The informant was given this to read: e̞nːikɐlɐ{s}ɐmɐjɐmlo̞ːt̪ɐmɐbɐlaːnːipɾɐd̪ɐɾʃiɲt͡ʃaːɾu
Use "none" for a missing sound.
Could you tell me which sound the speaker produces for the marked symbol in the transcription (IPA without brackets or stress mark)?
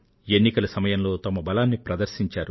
s